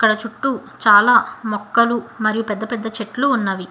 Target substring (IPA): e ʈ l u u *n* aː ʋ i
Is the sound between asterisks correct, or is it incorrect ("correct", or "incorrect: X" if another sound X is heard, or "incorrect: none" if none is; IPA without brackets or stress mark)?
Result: incorrect: nː